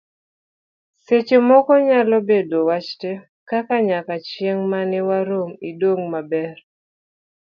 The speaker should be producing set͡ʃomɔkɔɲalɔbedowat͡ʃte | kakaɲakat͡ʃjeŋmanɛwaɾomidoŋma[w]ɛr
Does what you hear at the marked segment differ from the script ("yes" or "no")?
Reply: yes